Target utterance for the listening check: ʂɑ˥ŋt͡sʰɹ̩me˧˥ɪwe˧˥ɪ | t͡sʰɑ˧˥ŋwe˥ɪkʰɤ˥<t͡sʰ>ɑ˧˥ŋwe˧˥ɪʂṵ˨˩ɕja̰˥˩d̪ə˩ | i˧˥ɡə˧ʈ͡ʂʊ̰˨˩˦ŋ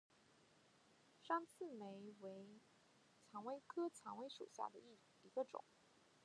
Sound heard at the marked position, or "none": t͡sʰ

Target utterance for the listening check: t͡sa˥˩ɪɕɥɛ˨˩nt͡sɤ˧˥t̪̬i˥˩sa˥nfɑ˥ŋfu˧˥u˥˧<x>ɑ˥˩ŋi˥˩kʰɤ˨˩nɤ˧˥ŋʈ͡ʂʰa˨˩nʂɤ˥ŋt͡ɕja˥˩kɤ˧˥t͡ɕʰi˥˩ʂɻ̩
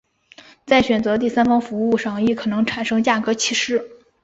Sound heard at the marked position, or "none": ʂ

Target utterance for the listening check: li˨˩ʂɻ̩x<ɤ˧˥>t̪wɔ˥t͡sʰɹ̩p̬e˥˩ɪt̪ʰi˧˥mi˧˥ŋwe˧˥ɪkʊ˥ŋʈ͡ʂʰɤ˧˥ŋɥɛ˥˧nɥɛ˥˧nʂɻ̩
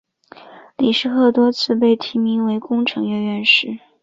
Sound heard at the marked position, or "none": ɤ˥˩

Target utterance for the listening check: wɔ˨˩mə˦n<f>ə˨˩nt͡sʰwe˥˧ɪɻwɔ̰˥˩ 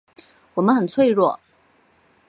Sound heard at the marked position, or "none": x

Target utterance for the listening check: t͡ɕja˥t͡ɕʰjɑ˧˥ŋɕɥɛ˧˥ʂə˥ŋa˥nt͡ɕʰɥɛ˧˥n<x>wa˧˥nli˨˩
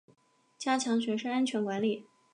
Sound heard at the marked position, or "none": k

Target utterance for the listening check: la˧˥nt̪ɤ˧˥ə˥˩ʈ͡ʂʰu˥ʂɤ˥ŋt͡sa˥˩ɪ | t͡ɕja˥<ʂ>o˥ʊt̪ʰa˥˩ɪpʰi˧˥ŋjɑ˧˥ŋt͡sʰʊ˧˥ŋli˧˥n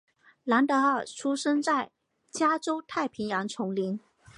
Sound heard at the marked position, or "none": ʈ͡ʂ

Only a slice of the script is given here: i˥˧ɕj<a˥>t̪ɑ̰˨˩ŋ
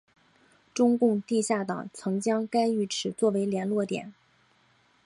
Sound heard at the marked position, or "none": a˥˩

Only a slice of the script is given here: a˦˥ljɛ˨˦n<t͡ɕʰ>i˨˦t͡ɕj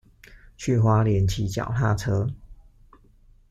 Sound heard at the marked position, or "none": t͡ɕʰ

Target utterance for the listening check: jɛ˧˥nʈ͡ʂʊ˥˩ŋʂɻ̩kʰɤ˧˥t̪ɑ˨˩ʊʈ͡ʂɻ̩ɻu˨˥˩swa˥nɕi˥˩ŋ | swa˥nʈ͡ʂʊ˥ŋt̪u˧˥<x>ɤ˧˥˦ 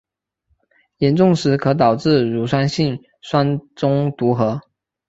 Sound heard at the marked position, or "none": x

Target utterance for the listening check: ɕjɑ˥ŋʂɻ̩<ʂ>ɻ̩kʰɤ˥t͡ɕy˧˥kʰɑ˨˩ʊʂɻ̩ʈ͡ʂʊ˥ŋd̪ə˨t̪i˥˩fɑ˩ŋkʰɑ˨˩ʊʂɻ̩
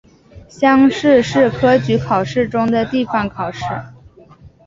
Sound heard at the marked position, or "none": ʂ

